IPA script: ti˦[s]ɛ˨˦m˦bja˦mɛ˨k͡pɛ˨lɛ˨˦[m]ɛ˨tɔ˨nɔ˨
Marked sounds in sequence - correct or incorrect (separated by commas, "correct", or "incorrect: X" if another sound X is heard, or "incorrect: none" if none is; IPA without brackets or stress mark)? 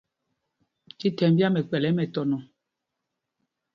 incorrect: t, correct